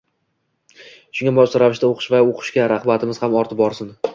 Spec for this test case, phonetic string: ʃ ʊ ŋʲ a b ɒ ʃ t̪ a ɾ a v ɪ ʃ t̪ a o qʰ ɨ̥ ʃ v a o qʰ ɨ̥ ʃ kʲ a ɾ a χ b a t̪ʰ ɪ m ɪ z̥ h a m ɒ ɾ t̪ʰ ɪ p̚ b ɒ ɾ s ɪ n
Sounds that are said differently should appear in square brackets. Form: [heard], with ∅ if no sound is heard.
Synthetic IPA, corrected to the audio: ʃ ʊ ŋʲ a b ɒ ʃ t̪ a ɾ a v ɪ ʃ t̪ a o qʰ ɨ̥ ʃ v a o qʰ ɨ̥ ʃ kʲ a ɾ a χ b a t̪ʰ ɪ m ɪ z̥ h a m ɒ ɾ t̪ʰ ɪ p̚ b ɒ ɾ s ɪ n